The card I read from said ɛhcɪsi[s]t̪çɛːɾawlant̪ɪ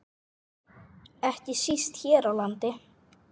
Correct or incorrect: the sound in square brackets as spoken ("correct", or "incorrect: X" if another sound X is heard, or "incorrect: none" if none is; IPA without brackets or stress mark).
correct